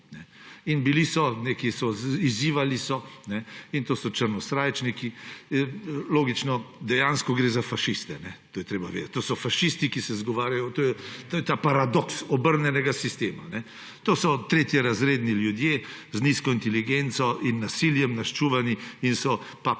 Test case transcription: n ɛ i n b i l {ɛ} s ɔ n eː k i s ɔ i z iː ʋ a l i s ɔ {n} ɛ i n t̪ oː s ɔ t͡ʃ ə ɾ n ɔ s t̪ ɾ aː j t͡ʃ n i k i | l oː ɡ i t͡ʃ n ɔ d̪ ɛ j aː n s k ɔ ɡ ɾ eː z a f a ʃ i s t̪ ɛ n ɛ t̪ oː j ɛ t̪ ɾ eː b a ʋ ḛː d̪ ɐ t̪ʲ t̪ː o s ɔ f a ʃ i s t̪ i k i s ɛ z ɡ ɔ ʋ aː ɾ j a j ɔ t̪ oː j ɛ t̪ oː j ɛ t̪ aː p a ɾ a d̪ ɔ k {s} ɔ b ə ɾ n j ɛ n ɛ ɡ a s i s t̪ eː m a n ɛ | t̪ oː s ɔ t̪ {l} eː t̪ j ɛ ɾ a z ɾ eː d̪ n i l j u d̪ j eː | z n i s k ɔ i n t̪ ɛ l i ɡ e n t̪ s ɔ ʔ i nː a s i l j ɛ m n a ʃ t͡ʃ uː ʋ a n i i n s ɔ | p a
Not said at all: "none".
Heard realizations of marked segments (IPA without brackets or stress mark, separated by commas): i, n, s, ɾ